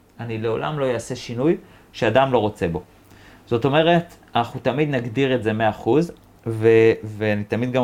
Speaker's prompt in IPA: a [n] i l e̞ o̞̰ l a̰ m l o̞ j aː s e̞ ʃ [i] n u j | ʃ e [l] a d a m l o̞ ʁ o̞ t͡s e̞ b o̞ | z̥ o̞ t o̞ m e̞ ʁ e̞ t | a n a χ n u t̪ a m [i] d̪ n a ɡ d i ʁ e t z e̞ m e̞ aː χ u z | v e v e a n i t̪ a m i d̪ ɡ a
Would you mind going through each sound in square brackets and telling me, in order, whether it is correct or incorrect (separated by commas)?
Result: correct, correct, incorrect, correct